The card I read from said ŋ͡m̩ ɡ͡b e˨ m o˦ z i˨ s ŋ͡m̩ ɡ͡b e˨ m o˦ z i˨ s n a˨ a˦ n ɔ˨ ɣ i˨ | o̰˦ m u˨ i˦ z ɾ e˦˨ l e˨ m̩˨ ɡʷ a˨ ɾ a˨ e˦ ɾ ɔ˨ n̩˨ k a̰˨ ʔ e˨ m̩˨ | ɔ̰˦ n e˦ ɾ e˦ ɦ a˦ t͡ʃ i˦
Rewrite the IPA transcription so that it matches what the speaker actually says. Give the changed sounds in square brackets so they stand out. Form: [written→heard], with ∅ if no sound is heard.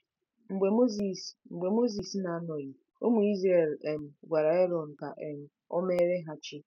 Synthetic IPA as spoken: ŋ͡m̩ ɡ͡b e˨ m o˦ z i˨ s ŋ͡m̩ ɡ͡b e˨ m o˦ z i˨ s n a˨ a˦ n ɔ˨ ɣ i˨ | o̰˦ m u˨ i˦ z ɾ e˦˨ l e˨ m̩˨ ɡʷ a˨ ɾ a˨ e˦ ɾ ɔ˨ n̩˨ k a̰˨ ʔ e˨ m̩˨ | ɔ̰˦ [n→m] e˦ ɾ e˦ ɦ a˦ t͡ʃ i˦